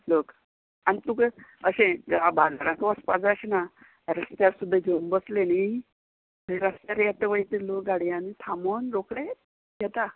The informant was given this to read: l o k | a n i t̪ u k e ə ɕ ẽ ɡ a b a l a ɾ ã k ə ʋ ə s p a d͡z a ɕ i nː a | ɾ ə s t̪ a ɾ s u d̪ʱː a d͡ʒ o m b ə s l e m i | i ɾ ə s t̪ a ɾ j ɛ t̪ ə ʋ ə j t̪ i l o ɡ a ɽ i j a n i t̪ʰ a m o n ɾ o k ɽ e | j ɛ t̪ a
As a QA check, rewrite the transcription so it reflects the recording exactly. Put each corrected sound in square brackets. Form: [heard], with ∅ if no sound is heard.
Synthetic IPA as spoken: l o k | a n i t̪ u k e ə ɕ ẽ ɡ a b a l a ɾ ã k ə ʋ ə s p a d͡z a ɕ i [n] a | ɾ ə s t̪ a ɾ s u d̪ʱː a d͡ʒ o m b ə s l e [n] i | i ɾ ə s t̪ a ɾ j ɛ t̪ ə ʋ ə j t̪ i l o ɡ a ɽ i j a n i t̪ʰ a m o n ɾ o k ɽ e | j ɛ t̪ a